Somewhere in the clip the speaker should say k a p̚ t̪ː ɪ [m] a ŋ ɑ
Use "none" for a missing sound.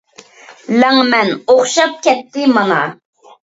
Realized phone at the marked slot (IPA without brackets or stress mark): m